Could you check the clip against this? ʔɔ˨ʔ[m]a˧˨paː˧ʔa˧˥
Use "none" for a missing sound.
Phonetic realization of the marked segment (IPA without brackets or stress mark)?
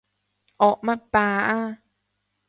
m